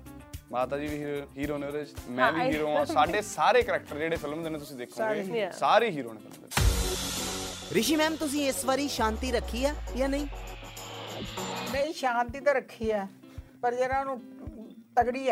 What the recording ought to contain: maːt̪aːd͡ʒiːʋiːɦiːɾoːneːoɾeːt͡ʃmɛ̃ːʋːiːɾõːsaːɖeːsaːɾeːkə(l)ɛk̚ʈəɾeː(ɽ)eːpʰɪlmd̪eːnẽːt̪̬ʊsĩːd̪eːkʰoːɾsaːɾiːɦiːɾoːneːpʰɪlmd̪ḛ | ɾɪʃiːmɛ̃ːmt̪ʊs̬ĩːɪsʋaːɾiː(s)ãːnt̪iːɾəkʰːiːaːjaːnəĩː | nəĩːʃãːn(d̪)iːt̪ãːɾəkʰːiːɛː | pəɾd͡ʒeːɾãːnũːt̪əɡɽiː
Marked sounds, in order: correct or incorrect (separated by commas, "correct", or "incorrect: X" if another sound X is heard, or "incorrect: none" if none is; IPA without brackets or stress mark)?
incorrect: ɾ, correct, incorrect: ʃ, incorrect: t̪